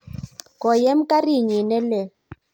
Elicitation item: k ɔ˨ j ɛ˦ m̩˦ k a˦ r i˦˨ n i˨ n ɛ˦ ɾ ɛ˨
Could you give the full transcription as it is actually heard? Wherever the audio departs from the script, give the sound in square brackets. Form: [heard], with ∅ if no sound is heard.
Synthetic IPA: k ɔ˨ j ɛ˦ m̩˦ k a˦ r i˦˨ [ɲ] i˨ n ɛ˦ [l] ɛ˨